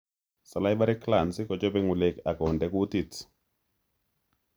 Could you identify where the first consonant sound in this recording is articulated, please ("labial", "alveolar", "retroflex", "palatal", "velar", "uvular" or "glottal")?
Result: alveolar